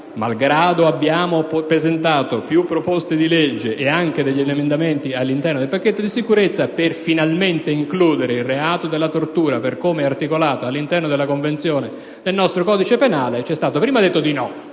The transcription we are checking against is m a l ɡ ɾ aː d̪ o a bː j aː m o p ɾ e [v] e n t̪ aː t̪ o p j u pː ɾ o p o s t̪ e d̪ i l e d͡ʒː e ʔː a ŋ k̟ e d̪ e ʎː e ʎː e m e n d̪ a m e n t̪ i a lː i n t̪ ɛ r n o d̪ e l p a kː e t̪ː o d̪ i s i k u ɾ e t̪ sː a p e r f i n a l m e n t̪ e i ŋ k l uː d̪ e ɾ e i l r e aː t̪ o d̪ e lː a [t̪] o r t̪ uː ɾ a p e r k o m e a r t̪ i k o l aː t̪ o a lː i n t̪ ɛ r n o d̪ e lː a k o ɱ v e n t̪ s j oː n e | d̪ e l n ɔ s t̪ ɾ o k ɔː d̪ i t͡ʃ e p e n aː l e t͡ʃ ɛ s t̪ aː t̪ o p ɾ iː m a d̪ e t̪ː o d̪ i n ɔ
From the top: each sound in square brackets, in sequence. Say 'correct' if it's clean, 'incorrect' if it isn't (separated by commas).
incorrect, correct